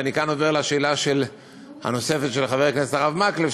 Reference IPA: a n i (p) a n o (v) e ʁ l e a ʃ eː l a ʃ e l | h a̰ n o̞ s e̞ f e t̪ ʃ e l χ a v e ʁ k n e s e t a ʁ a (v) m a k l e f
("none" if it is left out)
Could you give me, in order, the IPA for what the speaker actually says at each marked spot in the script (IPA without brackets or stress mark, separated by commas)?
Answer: k, v, v